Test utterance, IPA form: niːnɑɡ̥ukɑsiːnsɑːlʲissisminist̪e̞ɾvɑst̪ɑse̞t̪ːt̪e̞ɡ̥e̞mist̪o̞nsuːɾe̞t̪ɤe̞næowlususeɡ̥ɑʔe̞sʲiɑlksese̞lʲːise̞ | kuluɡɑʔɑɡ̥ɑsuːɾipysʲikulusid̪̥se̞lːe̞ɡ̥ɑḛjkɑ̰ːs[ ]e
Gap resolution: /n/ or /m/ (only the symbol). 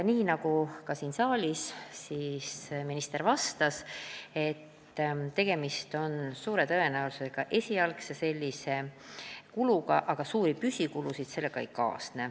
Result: n